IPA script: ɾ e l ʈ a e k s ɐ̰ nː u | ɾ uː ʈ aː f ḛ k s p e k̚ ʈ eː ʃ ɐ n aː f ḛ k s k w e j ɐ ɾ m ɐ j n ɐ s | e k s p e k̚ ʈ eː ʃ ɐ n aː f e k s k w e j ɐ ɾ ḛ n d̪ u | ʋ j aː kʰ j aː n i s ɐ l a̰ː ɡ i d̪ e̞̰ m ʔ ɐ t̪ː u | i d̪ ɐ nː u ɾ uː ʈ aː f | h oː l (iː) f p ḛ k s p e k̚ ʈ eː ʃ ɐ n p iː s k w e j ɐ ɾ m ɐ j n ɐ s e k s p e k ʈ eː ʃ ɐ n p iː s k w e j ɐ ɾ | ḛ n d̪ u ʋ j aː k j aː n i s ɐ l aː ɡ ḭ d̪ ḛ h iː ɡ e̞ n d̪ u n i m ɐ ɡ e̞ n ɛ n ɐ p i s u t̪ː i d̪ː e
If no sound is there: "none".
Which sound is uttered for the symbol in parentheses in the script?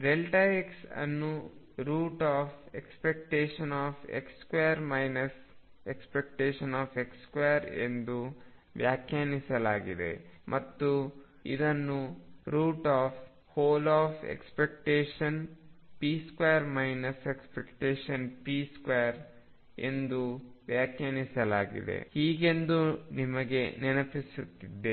aː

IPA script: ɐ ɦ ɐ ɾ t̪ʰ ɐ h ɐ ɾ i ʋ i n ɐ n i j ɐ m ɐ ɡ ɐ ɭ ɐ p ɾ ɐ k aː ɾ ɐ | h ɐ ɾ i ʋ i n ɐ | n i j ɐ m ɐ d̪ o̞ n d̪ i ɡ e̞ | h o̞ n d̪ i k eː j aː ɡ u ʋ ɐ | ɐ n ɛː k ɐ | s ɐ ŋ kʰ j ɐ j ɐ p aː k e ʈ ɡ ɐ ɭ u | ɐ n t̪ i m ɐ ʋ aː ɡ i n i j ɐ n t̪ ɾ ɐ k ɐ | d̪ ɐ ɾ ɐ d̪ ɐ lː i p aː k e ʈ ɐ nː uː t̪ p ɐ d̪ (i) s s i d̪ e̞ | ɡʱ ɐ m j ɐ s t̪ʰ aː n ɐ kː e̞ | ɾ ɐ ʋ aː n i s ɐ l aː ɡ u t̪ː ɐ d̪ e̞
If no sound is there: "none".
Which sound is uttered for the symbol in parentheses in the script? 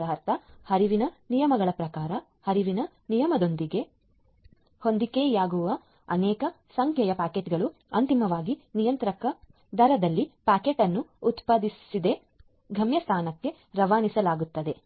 i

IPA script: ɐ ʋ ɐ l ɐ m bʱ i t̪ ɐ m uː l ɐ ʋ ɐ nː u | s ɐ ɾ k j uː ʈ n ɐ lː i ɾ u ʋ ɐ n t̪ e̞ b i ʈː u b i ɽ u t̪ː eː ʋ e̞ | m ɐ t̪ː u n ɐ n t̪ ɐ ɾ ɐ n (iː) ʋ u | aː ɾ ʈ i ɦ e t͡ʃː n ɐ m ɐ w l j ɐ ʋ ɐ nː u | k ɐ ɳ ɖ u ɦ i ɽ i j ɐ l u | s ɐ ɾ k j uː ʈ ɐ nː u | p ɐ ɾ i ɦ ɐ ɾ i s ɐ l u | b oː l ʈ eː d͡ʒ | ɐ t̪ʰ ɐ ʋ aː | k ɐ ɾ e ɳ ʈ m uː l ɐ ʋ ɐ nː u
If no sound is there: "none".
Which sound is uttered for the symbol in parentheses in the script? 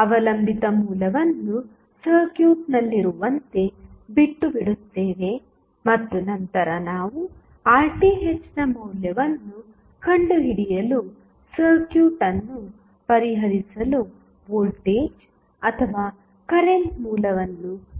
aː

